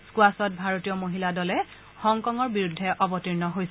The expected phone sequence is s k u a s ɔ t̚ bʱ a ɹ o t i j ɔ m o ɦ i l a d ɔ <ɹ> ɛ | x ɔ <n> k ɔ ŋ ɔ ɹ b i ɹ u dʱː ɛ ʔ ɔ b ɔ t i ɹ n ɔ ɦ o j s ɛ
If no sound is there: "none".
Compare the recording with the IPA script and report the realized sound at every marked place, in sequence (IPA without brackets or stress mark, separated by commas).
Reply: l, ŋ